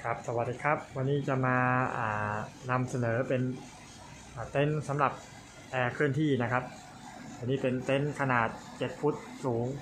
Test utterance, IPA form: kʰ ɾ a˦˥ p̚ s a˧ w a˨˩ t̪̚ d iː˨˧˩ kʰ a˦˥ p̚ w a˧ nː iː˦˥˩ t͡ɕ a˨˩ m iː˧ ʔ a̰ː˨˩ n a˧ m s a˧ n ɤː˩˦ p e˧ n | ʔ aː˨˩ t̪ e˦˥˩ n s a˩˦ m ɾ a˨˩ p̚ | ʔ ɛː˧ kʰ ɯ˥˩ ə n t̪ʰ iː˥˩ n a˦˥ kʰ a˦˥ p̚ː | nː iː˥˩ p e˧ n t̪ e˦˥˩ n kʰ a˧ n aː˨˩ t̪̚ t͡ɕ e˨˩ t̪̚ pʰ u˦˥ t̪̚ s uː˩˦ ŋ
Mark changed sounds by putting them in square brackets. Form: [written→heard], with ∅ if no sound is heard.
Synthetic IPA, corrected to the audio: kʰ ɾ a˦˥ p̚ s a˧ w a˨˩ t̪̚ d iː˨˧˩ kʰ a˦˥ p̚ w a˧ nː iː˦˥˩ t͡ɕ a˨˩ m [iː˧→aː˧] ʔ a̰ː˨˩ n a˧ m s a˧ n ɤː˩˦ p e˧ n | ʔ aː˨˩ t̪ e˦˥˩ n s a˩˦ m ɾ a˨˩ p̚ | ʔ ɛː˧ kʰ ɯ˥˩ ə n t̪ʰ iː˥˩ n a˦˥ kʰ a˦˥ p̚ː | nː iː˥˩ p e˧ n t̪ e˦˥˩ n kʰ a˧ n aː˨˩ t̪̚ t͡ɕ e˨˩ t̪̚ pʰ u˦˥ t̪̚ s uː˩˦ ŋ